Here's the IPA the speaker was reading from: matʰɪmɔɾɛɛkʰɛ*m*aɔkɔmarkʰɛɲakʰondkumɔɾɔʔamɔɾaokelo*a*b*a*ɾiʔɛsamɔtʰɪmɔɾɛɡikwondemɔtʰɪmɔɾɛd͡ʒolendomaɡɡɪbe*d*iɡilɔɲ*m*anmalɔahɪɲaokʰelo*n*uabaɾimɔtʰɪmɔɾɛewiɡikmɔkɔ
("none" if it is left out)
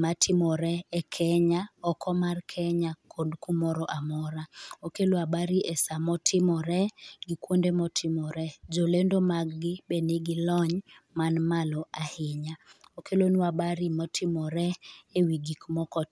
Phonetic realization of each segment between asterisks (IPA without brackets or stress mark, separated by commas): ɲ, a, a, n, m, n